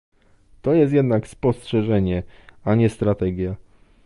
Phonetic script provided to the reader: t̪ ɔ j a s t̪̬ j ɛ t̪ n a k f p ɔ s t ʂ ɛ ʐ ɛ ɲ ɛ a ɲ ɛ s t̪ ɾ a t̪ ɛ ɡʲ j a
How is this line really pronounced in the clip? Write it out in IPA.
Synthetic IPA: t̪ ɔ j ɛ s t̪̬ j ɛ d̪ n a k s p ɔ s t ʂ ɛ ʐ ɛ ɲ ɛ a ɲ ɛ s t̪ ɾ a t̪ ɛ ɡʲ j a